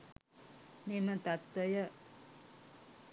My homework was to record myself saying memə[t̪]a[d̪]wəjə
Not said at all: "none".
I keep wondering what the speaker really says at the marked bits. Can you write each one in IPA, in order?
t̪, t̪

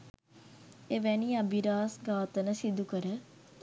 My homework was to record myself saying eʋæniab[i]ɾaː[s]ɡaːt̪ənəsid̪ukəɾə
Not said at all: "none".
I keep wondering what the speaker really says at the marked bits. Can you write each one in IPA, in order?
i, s

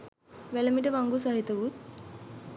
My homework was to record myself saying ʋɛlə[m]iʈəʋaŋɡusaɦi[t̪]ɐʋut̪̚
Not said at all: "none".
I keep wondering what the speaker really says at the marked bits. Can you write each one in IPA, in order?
m, t̪

